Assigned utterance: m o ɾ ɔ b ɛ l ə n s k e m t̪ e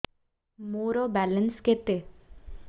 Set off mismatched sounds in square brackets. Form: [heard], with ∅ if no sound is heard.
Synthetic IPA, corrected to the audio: m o ɾ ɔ b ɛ l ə n s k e [∅] t̪ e